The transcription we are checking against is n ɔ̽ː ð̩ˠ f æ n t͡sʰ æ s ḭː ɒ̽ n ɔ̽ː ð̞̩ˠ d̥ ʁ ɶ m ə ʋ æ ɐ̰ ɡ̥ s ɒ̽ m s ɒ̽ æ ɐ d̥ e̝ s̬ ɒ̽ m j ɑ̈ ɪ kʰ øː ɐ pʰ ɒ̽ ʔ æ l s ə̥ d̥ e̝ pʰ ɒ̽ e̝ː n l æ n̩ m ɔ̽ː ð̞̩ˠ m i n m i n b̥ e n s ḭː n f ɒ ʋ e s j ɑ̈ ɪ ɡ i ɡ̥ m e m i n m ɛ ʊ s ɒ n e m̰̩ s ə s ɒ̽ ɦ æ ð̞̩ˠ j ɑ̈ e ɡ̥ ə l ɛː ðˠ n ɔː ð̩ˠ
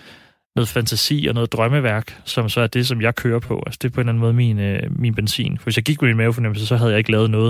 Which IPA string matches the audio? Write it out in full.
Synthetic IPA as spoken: n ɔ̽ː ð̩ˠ f æ n t͡sʰ æ s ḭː ɒ̽ n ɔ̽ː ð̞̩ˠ d̥ ʁ ɶ m ə ʋ æ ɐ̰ ɡ̥ s ɒ̽ m s ɒ̽ æ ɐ d̥ e̝ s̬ ɒ̽ m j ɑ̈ ɪ kʰ øː ɐ pʰ ɒ̽ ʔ æ l s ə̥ d̥ e̝ pʰ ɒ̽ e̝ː n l æ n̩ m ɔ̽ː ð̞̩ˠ m i n m i n b̥ e n s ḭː n f ɒ ʋ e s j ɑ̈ ɪ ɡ i ɡ̥ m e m i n m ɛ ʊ f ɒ n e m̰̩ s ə s ɒ̽ ɦ æ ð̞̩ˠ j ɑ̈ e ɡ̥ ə l ɛː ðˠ n ɔː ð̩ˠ